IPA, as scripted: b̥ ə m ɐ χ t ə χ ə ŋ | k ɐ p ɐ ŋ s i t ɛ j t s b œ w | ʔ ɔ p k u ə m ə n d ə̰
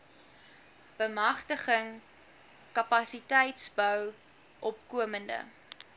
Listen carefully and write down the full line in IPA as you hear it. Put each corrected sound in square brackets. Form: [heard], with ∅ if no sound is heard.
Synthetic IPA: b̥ ə m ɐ χ t ə χ ə ŋ | k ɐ p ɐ [∅] s i t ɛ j t s b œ w | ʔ ɔ p k u ə m ə n d ə̰